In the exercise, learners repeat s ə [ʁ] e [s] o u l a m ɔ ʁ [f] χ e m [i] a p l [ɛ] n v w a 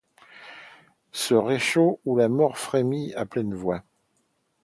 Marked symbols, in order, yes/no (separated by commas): yes, no, yes, yes, yes